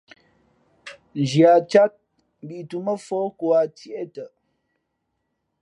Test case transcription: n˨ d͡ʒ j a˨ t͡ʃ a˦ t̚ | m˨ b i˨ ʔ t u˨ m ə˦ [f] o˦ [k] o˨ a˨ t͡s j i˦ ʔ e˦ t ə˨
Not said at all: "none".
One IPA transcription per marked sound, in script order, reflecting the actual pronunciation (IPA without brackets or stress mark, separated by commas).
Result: f, k